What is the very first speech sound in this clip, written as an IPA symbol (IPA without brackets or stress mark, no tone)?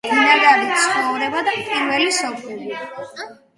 i